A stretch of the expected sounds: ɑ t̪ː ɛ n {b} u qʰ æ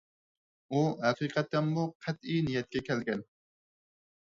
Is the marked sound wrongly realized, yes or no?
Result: yes